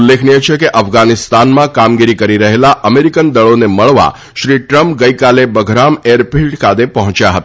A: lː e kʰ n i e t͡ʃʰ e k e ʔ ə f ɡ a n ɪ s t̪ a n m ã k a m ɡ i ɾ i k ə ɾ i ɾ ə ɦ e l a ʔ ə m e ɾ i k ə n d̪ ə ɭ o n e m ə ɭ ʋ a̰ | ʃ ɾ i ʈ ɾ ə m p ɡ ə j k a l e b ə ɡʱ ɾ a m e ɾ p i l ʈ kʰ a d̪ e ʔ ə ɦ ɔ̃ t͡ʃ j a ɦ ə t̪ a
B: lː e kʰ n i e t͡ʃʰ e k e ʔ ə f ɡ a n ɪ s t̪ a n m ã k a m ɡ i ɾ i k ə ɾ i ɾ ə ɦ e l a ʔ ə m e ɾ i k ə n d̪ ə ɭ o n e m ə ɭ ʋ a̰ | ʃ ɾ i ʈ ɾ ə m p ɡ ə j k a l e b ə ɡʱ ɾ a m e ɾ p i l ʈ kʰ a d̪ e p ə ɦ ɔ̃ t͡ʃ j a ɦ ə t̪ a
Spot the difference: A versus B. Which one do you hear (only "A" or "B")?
B